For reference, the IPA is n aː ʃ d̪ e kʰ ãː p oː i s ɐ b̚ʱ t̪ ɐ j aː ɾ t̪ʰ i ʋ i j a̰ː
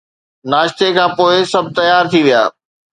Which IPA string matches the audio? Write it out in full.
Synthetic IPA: n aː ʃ t̪ e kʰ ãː p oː ɪ s ɐ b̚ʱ t̪ ɐ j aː ɾ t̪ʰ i ʋ i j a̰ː

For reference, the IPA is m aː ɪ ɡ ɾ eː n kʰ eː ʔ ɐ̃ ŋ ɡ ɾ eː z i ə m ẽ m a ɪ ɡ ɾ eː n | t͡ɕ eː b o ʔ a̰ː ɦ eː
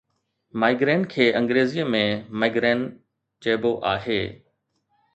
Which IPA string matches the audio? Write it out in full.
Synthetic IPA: m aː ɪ ɡ ɾ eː n kʰ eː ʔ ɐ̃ ŋ ɡ ɾ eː z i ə m ẽ m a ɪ ɡ ɾ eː n | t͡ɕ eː b o ʔ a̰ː ɦ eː

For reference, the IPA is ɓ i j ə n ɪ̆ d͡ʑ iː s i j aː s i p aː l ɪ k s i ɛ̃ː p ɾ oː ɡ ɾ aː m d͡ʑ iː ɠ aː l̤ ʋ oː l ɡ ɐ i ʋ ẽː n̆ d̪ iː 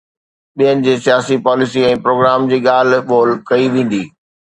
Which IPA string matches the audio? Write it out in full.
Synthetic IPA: ɓ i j ə n ɪ̆ d͡ʑ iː s i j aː s i p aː l ɪ s i ɛ̃ː p ɾ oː ɡ ɾ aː m d͡ʑ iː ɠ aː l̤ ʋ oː l k ɐ i ʋ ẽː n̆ d̪ iː

